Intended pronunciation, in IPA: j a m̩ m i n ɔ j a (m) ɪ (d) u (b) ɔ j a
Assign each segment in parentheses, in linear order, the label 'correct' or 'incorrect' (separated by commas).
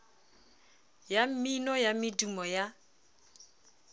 correct, correct, incorrect